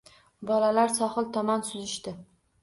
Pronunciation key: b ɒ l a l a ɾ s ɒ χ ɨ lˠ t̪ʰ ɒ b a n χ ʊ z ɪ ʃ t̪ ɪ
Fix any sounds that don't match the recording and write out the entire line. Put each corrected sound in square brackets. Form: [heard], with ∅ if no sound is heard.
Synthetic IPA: b ɒ l a l a ɾ s ɒ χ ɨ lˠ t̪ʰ ɒ [m] a n [s] ʊ z ɪ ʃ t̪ ɪ